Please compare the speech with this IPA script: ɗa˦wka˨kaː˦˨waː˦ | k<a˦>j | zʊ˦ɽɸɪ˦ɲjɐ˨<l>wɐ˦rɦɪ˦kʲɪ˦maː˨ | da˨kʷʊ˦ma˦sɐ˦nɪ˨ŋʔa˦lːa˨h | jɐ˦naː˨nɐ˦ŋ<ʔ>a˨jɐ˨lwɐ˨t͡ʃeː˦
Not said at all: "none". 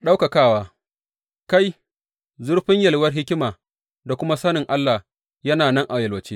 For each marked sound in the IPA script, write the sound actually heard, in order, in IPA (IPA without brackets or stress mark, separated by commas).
a˦, l, ʔ